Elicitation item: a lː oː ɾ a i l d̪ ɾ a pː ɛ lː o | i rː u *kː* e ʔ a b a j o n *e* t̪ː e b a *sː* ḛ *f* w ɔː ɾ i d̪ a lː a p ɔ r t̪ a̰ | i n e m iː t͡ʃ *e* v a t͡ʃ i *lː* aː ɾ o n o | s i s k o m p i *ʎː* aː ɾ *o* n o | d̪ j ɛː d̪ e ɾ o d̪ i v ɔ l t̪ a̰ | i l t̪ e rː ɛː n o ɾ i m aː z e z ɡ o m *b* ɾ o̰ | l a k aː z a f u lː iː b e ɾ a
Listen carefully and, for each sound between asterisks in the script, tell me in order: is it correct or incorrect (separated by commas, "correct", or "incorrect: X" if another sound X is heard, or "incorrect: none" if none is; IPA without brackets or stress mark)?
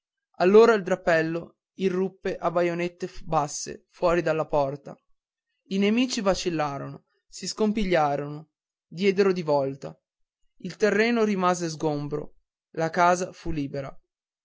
incorrect: pː, correct, correct, correct, incorrect: i, correct, correct, correct, correct